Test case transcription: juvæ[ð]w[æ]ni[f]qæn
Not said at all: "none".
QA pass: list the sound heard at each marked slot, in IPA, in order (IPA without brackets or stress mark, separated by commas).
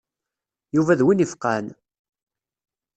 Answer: ð, i, f